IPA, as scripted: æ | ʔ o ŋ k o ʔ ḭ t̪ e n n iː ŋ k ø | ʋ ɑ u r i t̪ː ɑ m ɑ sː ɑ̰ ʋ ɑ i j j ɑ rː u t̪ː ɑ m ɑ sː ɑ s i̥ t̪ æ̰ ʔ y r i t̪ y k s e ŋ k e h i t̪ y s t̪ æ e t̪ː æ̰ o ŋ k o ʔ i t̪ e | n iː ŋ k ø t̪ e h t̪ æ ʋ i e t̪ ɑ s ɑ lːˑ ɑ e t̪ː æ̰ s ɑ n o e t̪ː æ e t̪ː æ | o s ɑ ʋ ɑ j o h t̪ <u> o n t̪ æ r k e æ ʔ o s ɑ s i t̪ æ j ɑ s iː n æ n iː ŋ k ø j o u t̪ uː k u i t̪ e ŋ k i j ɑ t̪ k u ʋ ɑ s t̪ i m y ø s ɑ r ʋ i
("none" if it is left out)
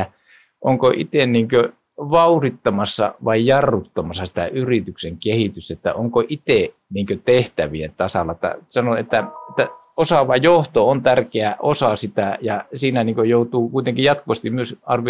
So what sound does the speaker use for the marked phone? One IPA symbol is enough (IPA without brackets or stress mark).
o